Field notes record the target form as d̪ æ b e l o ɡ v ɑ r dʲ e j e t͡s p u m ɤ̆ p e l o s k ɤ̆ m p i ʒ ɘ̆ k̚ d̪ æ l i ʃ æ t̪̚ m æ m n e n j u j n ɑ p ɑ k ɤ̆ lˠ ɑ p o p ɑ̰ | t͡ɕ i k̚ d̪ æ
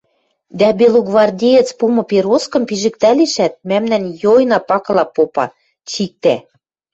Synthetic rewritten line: d̪ æ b e l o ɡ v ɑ r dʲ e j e t͡s p u m ɤ̆ p e ɾ o s k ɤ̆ m p i ʒ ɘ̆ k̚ t̪ æ l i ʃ æ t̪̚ m æ m n æ n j o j n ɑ p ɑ k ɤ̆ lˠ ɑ p o p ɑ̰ | t͡ɕ i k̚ t̪ æ